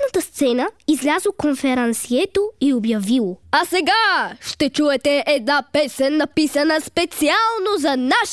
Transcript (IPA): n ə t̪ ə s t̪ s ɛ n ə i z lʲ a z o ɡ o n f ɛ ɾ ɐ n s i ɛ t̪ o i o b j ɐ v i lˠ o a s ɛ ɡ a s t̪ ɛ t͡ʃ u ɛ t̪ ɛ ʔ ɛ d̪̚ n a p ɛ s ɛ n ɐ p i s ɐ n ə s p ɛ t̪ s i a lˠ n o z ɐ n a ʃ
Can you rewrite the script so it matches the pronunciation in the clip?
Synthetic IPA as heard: n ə t̪ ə s t̪ s ɛ n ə i z lʲ a z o k o n f ɛ ɾ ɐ n s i ɛ t̪ o i o b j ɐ v i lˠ o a s ɛ ɡ a ʃ t̪ ɛ t͡ʃ u ɛ t̪ ɛ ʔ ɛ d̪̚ n a p ɛ s ɛ nː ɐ p i s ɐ n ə s p ɛ t̪ s i a lˠ n o z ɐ n a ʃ